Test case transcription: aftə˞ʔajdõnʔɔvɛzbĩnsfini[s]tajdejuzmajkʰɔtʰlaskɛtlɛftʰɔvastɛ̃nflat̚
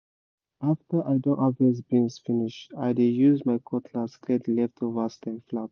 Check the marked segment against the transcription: incorrect: ʃ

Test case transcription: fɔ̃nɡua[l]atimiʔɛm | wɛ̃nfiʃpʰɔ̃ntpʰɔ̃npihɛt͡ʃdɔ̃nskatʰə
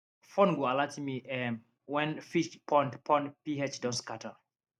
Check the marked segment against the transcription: correct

